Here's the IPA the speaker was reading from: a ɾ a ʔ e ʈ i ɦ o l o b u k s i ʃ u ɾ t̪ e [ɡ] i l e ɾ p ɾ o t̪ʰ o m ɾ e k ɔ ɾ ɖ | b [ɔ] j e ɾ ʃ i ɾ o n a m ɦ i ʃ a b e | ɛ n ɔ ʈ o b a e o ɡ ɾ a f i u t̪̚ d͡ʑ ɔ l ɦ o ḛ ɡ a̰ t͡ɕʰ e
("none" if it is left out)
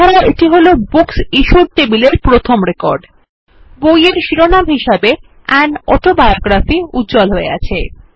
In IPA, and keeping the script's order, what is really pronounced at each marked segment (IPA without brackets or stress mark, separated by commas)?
b, o